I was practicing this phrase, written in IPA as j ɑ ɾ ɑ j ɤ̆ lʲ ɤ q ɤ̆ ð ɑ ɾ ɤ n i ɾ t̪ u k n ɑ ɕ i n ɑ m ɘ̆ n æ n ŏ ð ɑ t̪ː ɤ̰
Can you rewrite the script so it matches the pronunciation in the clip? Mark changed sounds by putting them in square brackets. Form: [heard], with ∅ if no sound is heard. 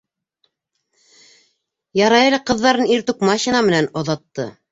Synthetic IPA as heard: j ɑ ɾ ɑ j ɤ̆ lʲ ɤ q ɤ̆ [ðː] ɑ ɾ ɤ n i ɾ t̪ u k [m] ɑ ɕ i n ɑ m ɘ̆ n æ n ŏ ð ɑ t̪ː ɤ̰